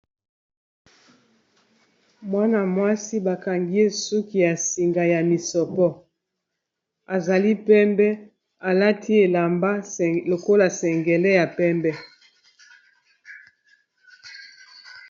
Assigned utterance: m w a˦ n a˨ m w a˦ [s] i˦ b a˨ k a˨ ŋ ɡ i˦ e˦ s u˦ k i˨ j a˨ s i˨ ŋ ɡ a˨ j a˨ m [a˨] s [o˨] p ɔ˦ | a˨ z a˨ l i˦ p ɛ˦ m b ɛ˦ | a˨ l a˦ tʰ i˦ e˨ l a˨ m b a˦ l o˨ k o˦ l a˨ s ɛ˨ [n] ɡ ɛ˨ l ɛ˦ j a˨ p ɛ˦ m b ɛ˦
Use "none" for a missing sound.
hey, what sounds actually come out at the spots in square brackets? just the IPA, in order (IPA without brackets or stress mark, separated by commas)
s, i˨, ɔ˨, ŋ